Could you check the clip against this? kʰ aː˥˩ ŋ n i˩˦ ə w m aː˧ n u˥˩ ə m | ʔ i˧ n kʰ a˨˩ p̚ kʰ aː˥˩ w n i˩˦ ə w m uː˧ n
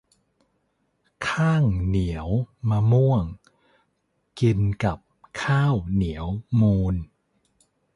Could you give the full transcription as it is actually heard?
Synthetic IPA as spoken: kʰ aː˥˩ ŋ n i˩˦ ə w m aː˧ m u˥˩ ə ŋ | k i˧ n k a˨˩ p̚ kʰ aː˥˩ w n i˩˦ ə w m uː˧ n